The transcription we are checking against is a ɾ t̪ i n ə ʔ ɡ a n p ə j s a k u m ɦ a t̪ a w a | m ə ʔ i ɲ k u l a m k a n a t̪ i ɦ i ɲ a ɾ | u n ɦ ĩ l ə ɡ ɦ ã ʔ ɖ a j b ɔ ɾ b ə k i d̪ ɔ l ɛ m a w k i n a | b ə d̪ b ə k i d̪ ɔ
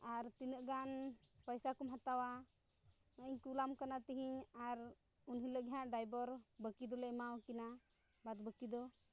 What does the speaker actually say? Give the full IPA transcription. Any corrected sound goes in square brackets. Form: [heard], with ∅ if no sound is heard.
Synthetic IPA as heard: a ɾ t̪ i n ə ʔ ɡ a n p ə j s a k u m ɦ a t̪ a w a | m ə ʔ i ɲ k u l a m k a n a t̪ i ɦ i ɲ a ɾ | u n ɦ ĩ l ə ɡ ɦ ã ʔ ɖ a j b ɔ ɾ b ə k i d̪ ɔ l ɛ m a w k i n a | b [a] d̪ b ə k i d̪ ɔ